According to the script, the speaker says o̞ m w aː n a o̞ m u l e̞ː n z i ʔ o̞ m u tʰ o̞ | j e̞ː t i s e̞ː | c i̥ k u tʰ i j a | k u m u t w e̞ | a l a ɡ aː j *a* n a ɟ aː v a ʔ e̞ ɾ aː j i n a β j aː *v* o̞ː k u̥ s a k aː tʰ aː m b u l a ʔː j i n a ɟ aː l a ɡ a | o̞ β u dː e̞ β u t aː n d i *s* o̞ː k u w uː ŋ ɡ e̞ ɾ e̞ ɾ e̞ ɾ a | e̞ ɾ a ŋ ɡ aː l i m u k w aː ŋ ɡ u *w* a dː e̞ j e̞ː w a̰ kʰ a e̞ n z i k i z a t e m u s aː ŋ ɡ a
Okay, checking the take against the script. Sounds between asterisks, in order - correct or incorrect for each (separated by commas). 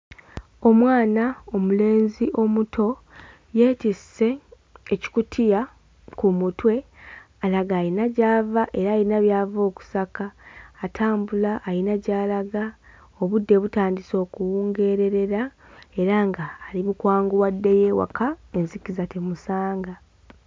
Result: incorrect, correct, correct, correct